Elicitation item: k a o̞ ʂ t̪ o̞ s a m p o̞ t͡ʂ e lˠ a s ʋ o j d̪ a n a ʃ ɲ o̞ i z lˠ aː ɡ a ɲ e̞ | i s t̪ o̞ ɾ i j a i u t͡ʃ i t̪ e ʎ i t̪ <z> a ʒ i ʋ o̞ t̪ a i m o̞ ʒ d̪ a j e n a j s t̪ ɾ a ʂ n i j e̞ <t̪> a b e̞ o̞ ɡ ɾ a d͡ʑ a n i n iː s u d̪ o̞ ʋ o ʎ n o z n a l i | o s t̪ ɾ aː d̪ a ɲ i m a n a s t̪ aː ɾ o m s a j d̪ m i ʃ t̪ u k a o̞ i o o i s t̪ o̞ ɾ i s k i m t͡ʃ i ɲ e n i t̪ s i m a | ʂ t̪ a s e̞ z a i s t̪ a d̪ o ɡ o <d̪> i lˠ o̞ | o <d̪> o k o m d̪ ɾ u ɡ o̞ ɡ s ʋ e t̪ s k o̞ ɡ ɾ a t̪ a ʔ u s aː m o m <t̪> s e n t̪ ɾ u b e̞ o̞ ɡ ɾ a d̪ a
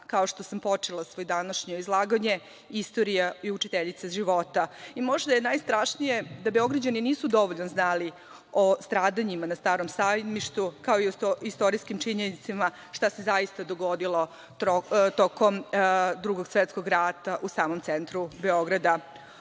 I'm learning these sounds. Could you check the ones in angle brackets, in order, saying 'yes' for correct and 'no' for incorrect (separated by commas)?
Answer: no, no, yes, no, yes